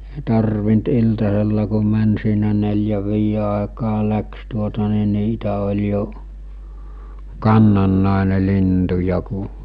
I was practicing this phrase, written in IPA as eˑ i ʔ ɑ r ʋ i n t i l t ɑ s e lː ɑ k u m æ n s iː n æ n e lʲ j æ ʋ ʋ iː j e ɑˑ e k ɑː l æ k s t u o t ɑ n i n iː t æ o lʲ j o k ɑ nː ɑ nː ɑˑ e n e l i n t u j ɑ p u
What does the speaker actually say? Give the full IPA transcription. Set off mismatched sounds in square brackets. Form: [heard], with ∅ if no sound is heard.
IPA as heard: eˑ i [t] ɑ r ʋ i n t i l t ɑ s e lː ɑ k u m æ n s iː n æ n e lʲ j æ ʋ ʋ iː j e ɑˑ e k ɑː l æ k s t u o t ɑ n i n iː t æ o lʲ j o k ɑ nː ɑ nː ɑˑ e n e l i n t u j ɑ [k] u